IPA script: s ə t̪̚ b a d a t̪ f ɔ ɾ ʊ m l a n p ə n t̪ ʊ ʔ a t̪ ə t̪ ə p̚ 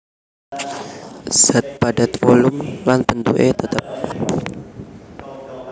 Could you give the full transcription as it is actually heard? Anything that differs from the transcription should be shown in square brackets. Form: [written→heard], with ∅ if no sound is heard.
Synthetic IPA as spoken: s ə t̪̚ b a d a t̪ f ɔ [ɾ→l] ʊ m l a n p ə n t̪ [ʊ→u] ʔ [a→e] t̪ ə t̪ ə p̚